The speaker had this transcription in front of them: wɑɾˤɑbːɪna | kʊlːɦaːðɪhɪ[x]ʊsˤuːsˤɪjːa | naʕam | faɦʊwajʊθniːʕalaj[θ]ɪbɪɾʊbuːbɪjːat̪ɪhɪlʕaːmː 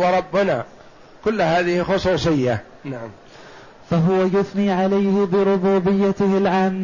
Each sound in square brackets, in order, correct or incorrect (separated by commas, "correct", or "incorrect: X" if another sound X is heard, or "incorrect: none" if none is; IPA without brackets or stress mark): correct, incorrect: h